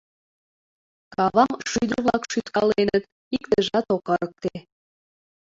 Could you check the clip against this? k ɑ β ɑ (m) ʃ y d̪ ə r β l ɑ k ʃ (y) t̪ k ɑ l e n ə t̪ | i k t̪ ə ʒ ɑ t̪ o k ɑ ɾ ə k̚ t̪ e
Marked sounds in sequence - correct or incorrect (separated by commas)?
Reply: correct, correct